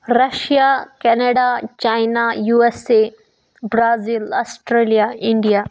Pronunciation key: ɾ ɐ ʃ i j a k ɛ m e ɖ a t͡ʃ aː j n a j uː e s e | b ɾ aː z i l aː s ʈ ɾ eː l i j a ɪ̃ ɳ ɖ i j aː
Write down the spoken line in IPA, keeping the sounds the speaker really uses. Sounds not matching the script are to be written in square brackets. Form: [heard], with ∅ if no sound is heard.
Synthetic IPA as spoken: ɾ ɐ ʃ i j a k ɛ [n] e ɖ a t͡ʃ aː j n a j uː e s e | b ɾ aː z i l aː s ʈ ɾ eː l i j a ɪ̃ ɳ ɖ i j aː

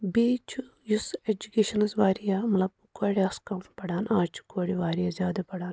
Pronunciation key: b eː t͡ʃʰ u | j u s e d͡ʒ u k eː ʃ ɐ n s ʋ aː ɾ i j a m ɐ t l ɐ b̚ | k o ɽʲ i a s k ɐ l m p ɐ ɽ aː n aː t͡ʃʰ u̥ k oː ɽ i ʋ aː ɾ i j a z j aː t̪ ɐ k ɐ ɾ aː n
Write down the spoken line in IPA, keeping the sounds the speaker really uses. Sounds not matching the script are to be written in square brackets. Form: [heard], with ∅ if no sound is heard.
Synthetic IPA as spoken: b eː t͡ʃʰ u | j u s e d͡ʒ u k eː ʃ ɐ n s ʋ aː ɾ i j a m ɐ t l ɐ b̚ | k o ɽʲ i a s k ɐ [∅] m p ɐ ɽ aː n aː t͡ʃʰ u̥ k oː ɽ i ʋ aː ɾ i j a z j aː [d̪] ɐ [p] ɐ [ɽ] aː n

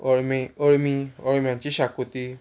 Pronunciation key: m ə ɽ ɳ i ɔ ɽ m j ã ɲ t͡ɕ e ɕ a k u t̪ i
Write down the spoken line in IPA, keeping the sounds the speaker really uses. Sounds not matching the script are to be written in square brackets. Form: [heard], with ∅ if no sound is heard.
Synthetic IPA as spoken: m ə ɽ [m] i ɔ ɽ m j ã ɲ t͡ɕ [i] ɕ a k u t̪ i

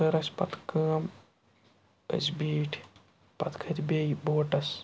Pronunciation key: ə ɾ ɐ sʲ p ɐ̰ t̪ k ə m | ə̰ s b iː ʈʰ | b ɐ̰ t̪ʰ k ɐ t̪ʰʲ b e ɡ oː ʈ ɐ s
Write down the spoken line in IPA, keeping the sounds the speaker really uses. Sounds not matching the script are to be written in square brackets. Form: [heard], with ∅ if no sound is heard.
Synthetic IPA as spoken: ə ɾ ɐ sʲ p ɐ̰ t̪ k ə m | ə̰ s b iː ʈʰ | [p] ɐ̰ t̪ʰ [kʰ] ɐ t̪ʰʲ b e [b] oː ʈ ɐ s

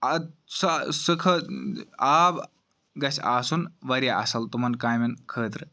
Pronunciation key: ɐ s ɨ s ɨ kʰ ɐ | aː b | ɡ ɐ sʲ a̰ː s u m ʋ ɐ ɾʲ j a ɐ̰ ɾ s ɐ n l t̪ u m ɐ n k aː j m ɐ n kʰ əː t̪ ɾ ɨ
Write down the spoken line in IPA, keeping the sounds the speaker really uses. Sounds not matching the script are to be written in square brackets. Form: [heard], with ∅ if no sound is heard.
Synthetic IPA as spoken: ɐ s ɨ s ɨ kʰ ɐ | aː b | ɡ ɐ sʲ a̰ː s u [n] ʋ ɐ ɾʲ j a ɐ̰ [∅] s ɐ [∅] l t̪ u m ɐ n k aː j m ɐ n kʰ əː t̪ ɾ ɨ

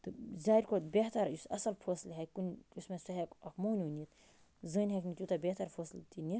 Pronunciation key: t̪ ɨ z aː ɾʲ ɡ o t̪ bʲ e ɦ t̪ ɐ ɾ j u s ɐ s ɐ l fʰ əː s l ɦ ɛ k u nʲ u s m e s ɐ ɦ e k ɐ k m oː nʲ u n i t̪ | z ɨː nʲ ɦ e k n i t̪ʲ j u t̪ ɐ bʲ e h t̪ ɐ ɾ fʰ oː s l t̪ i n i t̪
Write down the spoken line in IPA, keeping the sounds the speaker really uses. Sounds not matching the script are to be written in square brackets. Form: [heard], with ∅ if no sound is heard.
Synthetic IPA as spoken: t̪ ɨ z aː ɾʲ [k] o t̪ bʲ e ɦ t̪ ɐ ɾ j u s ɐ s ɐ l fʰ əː s l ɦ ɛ k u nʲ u s m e s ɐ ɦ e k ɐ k m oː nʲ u n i t̪ | z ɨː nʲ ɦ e k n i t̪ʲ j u t̪ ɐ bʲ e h t̪ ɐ ɾ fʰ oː s l t̪ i n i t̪

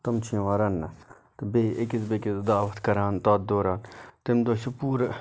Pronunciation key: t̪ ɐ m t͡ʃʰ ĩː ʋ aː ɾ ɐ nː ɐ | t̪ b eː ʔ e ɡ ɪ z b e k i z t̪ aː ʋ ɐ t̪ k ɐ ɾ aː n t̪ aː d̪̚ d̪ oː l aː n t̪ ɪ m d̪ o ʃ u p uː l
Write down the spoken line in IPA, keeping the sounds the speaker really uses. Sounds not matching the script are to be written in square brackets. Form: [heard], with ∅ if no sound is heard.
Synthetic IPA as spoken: t̪ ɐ m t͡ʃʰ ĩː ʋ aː ɾ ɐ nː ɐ | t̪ b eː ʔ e [k] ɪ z b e k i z [d̪] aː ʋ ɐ t̪ k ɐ ɾ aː n t̪ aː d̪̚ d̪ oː [ɾ] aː n t̪ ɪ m d̪ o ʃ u p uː [ɾ]

